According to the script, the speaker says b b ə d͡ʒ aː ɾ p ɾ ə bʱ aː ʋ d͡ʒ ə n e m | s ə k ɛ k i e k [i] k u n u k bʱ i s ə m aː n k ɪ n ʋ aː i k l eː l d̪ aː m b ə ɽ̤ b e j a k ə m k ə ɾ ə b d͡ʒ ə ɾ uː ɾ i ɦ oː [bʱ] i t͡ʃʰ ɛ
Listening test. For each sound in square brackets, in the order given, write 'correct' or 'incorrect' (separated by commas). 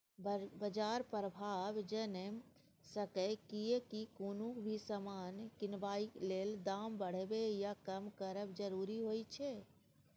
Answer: correct, incorrect